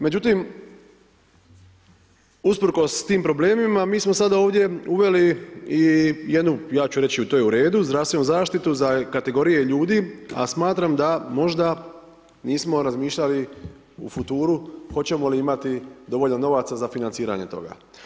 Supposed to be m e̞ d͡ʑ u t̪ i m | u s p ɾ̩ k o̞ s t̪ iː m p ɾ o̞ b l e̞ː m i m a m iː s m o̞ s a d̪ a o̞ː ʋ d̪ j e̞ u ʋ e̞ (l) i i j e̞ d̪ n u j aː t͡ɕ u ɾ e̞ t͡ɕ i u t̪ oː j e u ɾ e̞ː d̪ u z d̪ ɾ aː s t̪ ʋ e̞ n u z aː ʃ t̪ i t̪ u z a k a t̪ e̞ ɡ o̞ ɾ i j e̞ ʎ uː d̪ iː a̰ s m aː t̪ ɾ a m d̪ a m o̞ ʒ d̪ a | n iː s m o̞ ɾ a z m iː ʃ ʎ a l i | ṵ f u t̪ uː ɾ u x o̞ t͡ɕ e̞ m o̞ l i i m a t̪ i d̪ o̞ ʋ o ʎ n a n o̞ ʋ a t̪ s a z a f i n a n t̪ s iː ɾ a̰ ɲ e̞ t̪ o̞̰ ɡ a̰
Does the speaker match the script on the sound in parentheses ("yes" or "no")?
yes